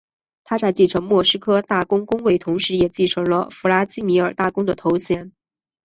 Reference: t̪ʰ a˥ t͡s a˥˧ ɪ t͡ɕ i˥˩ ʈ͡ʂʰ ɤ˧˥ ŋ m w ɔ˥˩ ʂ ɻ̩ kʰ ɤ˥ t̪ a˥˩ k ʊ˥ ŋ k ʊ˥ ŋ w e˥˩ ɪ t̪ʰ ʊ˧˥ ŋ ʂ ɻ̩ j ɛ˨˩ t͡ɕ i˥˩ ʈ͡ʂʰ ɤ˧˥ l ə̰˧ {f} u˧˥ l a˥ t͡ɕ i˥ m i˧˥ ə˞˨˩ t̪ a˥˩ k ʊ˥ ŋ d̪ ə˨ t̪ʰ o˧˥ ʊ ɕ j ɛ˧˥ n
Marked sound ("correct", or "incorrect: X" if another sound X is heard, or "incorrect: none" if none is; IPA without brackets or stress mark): correct